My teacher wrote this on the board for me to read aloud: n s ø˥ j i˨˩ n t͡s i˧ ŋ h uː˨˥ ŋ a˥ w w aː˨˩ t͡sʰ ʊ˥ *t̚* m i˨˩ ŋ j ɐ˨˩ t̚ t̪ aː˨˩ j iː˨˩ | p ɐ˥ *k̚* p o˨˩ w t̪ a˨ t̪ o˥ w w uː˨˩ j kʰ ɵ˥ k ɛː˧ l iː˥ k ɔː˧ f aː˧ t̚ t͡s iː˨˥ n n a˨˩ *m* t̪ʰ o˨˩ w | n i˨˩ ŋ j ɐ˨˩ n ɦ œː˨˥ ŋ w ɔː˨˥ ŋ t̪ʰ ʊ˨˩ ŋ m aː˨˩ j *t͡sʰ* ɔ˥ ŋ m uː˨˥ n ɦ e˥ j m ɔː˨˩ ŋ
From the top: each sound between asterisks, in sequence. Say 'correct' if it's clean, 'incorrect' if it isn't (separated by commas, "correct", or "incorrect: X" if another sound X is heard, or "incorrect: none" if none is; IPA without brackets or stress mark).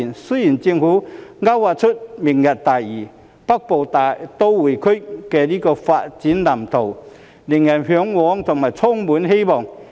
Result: correct, correct, correct, correct